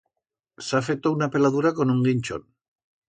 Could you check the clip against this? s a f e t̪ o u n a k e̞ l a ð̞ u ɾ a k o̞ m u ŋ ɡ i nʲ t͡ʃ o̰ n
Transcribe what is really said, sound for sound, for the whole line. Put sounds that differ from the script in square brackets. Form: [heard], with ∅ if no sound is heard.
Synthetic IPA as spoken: s a f e t̪ o u n a [p] e̞ l a ð̞ u ɾ a k o̞ [n] u ŋ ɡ i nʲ t͡ʃ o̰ n